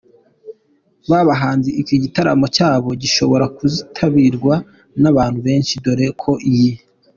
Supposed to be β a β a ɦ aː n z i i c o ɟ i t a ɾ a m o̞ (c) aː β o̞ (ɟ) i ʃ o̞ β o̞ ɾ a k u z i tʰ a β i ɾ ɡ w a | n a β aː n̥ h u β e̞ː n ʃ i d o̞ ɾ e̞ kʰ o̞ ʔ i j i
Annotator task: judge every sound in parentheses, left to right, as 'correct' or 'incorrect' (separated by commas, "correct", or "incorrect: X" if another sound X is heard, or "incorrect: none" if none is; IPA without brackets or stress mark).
correct, correct